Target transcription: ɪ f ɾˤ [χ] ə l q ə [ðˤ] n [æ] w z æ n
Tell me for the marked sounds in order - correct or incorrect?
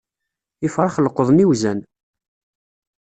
correct, correct, incorrect: i

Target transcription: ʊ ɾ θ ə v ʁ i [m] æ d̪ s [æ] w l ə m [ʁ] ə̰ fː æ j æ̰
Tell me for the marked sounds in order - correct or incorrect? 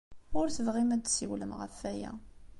correct, incorrect: i, correct

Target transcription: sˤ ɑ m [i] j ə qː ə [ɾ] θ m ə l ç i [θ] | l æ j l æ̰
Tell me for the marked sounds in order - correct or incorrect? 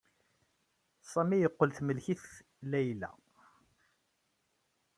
correct, incorrect: l, correct

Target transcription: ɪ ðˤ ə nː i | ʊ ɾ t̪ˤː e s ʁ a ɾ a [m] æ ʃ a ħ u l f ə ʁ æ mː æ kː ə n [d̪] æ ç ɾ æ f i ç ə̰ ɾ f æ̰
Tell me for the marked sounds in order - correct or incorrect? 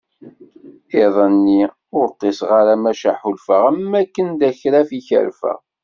correct, correct

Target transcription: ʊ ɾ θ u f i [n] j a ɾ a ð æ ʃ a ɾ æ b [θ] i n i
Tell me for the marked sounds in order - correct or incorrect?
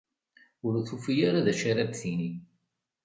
incorrect: none, correct

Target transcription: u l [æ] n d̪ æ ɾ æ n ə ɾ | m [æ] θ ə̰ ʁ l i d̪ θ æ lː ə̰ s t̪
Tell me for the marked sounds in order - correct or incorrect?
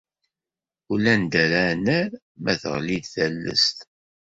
correct, correct

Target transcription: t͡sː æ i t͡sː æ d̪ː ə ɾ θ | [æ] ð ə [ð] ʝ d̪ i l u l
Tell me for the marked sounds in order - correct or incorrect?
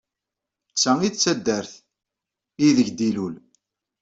incorrect: i, incorrect: none

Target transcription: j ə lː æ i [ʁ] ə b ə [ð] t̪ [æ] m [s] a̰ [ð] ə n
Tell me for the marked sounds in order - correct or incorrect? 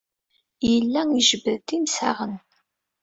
incorrect: ʒ, correct, incorrect: i, correct, incorrect: ʁ

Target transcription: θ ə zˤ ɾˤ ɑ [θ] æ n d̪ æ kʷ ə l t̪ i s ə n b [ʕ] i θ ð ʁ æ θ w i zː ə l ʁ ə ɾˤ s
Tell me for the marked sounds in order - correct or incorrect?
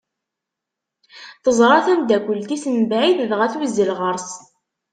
correct, correct

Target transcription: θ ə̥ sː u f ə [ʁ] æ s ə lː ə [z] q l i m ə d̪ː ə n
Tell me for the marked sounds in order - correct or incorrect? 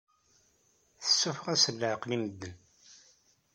correct, incorrect: ʕ

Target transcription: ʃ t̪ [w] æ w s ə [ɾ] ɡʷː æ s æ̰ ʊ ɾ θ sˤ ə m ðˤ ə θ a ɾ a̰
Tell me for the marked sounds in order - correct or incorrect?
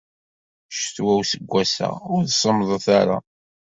correct, incorrect: none

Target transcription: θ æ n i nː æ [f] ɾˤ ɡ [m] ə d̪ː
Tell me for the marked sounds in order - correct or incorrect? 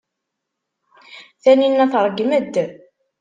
incorrect: θ, correct

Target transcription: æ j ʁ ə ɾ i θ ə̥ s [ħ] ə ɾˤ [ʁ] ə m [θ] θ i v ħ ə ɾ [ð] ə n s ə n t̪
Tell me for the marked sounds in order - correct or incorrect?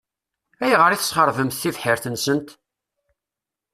incorrect: χ, incorrect: v, correct, incorrect: θ

